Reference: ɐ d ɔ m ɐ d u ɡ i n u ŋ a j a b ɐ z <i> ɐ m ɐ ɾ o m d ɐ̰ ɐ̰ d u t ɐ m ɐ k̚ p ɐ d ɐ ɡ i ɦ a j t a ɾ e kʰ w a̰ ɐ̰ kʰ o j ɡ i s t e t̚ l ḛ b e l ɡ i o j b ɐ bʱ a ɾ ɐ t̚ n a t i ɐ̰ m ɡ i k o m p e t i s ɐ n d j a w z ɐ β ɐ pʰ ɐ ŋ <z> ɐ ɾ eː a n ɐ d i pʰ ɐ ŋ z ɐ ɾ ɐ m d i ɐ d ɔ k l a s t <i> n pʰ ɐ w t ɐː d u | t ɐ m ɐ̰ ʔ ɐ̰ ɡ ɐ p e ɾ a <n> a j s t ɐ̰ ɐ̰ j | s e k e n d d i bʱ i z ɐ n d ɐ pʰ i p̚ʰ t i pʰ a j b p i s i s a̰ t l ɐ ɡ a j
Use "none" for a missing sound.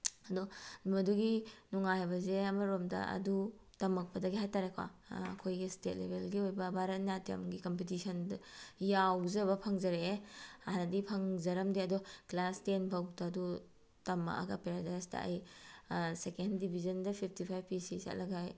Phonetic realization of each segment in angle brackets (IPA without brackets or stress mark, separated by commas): e, z, e, d